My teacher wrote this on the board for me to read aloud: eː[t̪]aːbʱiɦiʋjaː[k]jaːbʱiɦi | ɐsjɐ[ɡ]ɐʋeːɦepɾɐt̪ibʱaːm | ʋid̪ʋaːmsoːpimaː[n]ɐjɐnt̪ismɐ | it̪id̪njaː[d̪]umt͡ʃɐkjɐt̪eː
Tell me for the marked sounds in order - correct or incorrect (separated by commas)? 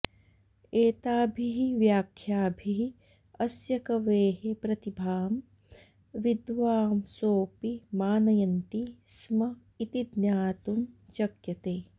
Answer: correct, incorrect, incorrect, correct, incorrect